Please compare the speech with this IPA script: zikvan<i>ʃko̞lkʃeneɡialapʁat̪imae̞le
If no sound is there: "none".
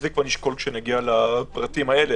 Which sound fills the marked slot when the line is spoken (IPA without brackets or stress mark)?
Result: i